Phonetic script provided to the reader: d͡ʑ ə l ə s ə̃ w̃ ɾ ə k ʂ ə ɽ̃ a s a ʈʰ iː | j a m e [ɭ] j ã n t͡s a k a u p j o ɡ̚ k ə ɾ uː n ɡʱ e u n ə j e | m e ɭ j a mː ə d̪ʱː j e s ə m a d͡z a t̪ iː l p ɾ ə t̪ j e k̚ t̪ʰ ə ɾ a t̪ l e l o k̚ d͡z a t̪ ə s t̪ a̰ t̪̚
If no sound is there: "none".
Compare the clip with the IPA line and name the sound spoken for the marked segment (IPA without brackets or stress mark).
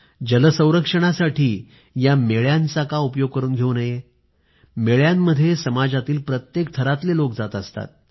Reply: ɭ